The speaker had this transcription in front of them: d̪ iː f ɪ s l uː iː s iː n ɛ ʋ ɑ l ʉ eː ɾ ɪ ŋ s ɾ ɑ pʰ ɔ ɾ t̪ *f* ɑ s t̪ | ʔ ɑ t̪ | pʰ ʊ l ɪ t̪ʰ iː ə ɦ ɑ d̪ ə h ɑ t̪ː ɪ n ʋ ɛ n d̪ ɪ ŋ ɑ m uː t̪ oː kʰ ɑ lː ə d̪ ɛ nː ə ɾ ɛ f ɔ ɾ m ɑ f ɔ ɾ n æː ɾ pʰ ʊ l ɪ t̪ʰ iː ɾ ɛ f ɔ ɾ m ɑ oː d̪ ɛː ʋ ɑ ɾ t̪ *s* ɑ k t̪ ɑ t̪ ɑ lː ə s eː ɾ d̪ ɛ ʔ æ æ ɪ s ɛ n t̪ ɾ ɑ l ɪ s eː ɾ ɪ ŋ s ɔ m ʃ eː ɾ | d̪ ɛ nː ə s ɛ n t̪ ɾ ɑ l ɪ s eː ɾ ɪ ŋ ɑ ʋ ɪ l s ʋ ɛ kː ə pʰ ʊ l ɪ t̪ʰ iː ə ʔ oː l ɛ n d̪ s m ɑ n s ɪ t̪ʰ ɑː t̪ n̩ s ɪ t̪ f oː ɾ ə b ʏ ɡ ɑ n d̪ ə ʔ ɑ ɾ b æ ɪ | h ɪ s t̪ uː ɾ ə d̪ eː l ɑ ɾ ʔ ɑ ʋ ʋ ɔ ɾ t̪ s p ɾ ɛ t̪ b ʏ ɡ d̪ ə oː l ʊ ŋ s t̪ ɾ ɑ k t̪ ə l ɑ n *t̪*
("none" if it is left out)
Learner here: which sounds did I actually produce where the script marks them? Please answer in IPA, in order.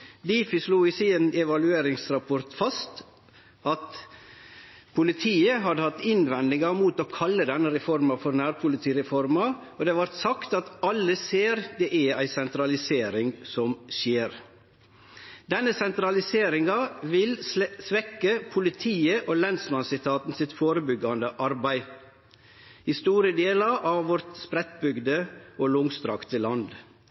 f, s, d̪

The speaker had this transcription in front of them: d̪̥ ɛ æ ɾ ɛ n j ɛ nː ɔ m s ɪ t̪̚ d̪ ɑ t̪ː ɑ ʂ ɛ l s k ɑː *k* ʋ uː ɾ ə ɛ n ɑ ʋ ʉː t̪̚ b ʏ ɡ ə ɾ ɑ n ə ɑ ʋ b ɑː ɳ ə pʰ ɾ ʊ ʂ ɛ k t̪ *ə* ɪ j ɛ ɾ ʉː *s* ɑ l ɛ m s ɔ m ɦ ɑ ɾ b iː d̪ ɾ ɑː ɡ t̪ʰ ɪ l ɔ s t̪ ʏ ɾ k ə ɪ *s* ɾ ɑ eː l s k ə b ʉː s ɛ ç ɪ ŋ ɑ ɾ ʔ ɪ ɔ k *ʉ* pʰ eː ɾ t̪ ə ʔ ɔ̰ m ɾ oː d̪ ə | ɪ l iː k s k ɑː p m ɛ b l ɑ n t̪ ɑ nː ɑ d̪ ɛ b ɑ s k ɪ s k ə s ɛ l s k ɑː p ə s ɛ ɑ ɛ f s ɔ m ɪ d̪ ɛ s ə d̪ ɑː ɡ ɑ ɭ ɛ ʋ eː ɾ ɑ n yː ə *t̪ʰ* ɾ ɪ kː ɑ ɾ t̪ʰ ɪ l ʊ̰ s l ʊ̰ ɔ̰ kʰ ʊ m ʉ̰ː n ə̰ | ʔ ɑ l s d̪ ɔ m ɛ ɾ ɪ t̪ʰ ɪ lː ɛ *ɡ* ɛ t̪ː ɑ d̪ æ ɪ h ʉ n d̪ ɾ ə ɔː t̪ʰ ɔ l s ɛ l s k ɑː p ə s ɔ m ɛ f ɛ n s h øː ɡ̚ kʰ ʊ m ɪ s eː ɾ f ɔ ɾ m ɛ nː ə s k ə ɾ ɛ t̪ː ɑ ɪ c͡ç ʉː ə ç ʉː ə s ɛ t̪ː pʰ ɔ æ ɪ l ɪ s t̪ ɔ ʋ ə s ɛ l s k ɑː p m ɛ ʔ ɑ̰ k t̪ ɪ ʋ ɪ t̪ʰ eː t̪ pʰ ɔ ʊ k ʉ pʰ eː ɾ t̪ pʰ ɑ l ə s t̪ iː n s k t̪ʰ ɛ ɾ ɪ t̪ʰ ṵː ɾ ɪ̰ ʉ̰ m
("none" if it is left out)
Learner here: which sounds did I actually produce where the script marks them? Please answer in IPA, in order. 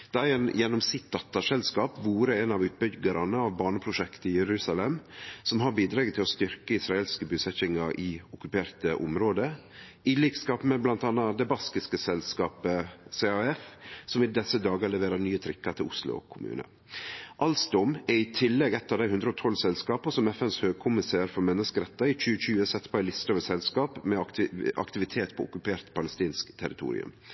p, ə, s, s, ʉ, t̪ʰ, ɡ

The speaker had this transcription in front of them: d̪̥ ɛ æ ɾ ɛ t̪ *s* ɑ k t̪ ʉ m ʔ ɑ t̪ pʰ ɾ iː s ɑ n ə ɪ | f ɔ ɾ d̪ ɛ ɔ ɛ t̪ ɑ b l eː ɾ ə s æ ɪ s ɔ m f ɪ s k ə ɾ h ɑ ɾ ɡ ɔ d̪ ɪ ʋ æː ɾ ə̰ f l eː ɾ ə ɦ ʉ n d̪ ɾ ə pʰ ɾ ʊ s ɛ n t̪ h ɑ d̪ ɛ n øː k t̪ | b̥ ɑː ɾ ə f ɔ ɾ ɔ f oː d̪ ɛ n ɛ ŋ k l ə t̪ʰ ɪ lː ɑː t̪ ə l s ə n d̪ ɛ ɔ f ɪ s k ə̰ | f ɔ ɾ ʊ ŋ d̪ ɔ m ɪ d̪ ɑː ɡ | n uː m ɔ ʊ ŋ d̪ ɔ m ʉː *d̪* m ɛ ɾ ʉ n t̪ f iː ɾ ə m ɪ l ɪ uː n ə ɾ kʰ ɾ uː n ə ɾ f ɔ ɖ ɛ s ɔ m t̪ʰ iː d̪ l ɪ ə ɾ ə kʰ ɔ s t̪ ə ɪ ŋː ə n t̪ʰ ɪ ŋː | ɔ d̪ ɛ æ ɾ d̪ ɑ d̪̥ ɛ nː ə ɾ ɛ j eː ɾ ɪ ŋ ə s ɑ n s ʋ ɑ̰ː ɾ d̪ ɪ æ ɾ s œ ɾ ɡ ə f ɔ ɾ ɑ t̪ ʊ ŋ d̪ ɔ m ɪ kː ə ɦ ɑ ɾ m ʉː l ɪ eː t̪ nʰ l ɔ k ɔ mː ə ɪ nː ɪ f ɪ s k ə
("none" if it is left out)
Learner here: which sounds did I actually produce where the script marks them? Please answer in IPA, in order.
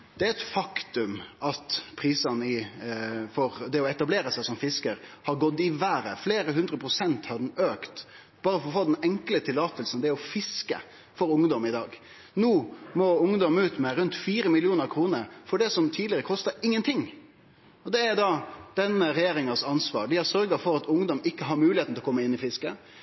f, t̪

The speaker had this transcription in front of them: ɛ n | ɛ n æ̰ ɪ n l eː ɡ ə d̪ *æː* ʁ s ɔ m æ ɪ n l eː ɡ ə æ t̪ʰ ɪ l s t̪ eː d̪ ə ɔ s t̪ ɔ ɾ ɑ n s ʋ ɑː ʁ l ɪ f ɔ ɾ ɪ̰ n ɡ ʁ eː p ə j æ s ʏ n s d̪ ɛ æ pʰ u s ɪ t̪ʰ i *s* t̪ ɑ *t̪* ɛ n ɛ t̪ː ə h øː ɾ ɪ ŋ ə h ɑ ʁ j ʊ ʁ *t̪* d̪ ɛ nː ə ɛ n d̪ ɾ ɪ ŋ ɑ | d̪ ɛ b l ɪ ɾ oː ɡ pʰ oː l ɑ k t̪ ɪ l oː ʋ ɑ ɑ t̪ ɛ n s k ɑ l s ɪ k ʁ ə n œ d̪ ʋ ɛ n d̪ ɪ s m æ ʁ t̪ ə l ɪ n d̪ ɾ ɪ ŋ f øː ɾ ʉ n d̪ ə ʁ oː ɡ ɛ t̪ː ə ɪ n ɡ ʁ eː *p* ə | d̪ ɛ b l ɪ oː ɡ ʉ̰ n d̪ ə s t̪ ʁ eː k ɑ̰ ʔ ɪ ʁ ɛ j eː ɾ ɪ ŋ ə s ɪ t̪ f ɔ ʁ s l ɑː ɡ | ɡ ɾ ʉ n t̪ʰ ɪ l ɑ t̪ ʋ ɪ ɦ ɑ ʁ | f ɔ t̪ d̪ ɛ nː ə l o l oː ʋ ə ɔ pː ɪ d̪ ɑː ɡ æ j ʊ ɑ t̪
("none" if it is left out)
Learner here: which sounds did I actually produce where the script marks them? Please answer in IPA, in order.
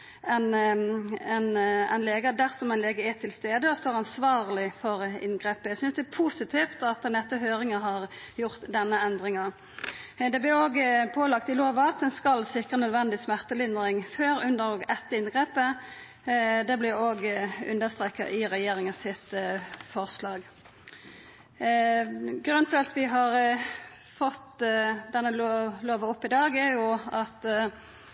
æ, f, t̪, t̪, p

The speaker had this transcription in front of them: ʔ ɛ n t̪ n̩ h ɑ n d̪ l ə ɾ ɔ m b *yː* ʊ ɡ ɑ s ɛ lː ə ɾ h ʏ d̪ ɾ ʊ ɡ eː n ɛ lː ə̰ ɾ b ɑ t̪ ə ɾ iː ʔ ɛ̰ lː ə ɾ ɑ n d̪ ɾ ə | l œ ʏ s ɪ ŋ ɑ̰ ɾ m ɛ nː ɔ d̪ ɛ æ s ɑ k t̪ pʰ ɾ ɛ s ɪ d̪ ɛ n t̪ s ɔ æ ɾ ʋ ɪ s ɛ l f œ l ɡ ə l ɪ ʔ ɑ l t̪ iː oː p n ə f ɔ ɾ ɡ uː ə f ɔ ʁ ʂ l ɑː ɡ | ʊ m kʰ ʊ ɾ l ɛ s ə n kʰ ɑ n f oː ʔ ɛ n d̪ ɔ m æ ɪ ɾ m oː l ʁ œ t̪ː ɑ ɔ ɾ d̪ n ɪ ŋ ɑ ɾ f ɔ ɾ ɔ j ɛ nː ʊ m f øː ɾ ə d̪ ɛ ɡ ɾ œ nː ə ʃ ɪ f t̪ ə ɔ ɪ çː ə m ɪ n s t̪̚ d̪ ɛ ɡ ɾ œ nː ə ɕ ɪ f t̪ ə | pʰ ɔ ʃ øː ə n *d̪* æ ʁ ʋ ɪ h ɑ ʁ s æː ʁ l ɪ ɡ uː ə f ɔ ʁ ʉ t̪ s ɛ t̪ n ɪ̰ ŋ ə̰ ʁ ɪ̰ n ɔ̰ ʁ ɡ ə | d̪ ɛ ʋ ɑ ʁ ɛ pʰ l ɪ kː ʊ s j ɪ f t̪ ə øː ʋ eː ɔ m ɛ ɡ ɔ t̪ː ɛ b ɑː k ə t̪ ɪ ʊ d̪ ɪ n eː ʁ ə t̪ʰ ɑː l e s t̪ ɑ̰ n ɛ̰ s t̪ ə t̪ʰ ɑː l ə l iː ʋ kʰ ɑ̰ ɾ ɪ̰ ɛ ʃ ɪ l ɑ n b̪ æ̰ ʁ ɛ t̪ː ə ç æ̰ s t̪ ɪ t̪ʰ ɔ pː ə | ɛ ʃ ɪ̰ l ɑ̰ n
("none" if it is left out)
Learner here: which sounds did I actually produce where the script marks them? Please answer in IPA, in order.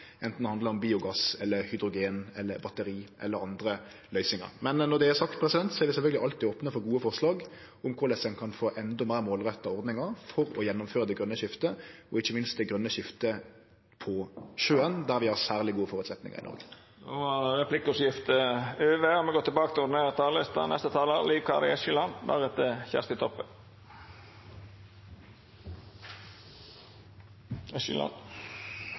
iː, d̪

